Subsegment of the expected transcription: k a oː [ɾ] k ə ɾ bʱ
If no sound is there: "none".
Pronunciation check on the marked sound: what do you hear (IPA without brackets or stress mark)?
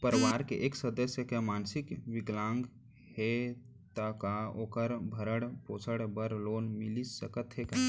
none